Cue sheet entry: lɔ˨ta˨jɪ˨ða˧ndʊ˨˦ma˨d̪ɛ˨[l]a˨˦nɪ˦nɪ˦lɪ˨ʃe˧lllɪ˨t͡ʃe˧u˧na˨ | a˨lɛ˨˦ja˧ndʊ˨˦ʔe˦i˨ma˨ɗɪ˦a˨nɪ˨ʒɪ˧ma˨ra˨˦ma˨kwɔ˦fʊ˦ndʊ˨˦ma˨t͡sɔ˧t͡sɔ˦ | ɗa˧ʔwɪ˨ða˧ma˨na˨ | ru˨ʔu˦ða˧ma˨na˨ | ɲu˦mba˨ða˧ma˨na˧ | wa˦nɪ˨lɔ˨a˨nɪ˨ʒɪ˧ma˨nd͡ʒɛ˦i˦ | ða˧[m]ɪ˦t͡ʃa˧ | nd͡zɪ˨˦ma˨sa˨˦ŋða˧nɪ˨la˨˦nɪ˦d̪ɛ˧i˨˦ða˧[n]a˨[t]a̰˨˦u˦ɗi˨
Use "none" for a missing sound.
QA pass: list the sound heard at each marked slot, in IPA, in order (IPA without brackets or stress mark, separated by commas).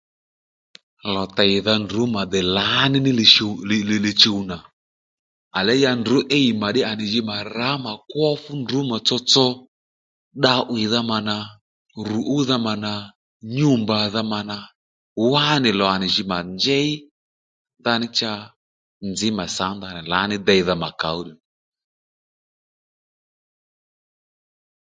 l, n, m, k